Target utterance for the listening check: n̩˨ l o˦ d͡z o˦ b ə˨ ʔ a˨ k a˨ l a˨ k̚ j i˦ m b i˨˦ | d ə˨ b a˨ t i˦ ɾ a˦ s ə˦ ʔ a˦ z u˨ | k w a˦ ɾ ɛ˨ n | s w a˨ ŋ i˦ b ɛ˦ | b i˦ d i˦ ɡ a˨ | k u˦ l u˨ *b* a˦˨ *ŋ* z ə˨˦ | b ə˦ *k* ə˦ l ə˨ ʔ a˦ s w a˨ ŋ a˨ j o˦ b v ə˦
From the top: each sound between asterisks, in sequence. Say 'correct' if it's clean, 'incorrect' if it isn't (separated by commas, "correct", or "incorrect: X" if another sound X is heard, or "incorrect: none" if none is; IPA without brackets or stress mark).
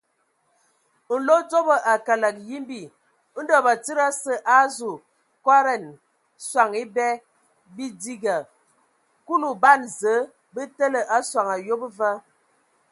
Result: correct, incorrect: n, incorrect: t